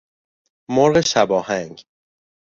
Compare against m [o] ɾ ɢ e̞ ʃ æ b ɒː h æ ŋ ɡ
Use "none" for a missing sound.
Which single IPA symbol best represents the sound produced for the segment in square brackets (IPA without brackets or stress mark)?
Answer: o